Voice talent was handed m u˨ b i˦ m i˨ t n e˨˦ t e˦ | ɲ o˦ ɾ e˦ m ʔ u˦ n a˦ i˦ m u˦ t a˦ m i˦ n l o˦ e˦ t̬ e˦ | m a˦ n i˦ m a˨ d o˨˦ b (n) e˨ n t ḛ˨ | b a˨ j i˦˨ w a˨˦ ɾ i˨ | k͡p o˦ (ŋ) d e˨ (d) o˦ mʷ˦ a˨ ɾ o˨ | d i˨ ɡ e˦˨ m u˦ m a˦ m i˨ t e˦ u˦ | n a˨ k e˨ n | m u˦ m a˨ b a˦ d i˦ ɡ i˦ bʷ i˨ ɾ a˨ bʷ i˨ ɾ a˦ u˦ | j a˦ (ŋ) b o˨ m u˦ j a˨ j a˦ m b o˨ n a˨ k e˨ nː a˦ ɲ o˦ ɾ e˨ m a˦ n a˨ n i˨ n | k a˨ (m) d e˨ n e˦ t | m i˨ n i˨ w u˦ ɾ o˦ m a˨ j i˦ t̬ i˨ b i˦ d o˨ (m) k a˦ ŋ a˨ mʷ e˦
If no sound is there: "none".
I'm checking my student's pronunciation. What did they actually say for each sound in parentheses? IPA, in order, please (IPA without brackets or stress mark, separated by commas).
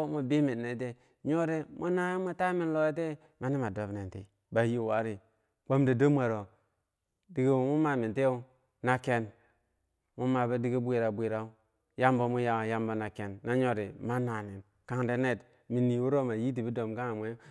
n, m, d, m, ŋ, m